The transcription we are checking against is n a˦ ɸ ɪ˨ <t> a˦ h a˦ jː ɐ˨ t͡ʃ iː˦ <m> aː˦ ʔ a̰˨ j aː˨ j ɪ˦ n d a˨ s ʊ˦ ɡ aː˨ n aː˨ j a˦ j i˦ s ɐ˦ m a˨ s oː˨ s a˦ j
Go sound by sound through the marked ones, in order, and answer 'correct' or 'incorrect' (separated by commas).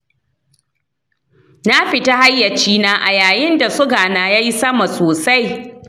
correct, incorrect